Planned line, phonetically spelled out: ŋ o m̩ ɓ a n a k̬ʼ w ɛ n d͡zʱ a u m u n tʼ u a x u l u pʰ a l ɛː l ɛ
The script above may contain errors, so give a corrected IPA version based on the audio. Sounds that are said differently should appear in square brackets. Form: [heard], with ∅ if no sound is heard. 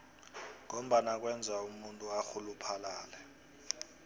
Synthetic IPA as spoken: ŋ o m̩ ɓ a n a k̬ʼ w ɛ n d͡zʱ a u m u n tʼ u a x u l u pʰ a l [aː] l ɛ